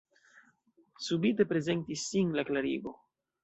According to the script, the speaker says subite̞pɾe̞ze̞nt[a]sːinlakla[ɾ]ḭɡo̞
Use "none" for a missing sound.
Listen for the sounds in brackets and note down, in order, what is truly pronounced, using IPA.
i, ɾ

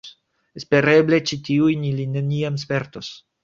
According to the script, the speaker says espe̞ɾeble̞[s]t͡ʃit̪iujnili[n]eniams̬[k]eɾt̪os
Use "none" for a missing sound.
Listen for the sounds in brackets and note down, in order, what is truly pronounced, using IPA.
none, n, p

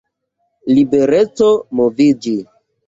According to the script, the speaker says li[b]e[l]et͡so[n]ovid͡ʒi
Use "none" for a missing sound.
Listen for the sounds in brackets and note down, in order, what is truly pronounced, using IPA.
b, ɾ, m

